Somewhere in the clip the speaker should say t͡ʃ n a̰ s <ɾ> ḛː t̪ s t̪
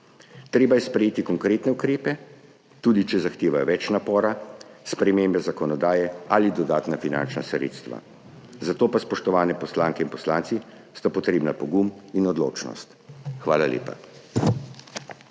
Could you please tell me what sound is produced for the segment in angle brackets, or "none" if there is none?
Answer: ɾ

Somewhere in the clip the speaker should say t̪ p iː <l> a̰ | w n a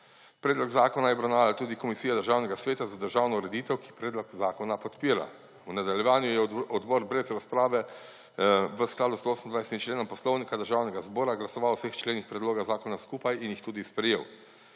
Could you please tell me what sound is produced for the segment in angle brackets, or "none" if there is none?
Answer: ɾ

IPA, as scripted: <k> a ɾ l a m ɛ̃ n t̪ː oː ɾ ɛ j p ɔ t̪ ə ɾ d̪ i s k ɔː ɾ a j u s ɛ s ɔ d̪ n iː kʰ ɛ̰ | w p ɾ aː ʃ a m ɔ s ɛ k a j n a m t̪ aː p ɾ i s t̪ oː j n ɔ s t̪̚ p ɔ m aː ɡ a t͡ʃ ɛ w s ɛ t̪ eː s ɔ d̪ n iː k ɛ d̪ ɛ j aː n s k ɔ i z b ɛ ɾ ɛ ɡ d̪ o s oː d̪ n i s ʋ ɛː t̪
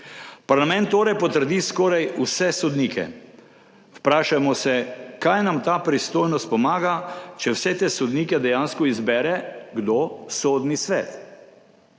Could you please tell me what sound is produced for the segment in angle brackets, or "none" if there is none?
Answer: p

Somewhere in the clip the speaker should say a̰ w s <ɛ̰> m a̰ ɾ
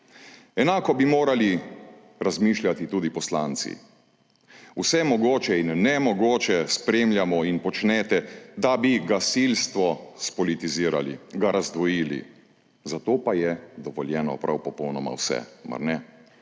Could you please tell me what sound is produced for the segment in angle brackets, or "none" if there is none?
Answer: ɛ̰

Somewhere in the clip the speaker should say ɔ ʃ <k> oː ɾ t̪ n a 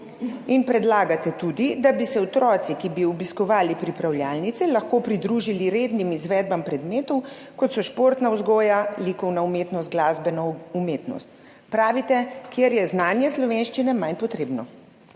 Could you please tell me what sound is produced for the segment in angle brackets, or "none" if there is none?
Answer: p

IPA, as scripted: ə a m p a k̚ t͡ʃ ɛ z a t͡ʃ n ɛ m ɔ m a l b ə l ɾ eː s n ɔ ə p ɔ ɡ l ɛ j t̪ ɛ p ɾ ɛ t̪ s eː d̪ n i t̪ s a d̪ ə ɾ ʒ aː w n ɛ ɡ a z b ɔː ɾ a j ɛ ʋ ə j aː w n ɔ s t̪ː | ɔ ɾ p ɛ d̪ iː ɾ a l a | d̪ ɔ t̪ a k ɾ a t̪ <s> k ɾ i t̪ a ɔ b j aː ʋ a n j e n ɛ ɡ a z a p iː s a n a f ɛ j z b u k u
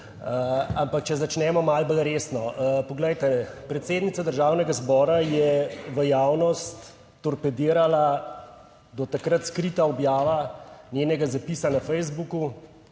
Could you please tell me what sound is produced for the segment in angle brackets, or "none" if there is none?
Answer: s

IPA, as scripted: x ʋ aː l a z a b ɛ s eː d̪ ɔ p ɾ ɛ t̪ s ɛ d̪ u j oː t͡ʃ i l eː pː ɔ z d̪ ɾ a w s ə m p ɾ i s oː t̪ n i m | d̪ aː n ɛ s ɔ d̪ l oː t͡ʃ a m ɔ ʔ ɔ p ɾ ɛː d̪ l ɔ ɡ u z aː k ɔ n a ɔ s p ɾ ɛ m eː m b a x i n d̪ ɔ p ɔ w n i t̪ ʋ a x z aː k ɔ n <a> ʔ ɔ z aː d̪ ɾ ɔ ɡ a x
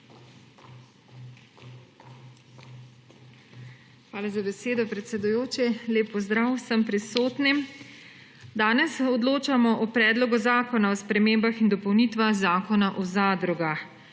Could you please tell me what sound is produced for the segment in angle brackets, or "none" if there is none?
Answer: a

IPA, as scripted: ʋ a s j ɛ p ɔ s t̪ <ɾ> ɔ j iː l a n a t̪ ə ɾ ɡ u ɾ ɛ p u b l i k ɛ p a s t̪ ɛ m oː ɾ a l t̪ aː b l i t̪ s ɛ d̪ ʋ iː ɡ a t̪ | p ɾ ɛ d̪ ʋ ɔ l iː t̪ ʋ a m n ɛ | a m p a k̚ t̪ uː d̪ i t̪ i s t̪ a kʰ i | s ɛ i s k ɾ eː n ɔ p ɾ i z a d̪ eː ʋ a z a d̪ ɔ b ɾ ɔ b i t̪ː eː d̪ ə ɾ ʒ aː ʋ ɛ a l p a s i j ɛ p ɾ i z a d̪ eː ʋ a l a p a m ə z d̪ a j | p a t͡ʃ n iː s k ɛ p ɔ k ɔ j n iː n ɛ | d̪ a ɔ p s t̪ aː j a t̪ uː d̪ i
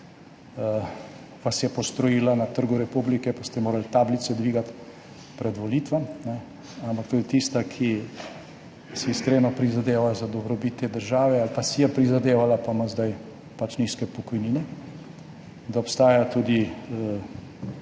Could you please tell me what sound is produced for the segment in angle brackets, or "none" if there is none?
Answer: ɾ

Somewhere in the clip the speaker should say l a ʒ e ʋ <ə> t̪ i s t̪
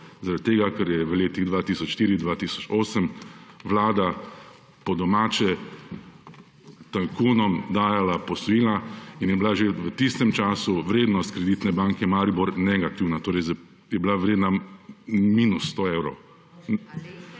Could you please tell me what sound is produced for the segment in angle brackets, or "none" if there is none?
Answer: ə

